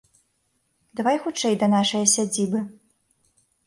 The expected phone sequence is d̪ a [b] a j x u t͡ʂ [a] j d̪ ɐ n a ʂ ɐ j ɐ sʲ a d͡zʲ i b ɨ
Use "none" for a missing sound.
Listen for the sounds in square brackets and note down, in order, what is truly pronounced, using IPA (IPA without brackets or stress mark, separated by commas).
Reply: v, ɛ